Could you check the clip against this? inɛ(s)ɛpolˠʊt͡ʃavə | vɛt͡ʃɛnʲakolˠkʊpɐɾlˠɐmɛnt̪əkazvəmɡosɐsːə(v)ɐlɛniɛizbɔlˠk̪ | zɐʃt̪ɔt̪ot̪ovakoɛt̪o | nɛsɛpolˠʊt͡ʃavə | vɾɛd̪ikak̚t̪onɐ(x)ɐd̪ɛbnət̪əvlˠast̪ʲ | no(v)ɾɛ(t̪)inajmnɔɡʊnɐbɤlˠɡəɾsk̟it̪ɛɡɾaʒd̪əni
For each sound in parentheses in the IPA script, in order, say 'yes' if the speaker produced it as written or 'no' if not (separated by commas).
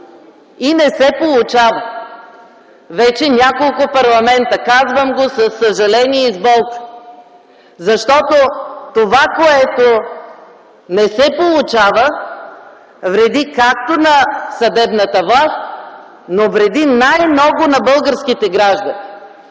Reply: yes, no, no, yes, no